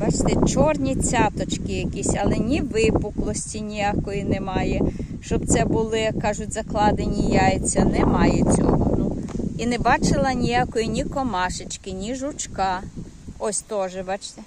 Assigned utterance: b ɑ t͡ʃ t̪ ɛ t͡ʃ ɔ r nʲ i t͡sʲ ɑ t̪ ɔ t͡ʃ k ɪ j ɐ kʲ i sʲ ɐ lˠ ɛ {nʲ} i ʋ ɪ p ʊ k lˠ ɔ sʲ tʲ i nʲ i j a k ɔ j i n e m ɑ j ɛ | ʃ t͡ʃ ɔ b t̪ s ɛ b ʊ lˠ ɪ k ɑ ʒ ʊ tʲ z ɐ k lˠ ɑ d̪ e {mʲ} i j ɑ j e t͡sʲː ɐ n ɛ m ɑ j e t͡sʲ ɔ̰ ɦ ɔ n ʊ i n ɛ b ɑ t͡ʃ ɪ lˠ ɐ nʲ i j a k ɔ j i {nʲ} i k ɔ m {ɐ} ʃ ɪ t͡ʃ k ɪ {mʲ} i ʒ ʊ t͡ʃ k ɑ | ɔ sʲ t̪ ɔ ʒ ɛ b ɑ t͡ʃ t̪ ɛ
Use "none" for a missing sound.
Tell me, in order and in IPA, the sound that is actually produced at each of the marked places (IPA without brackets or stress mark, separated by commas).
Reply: nʲ, nʲ, nʲ, ɑ, nʲ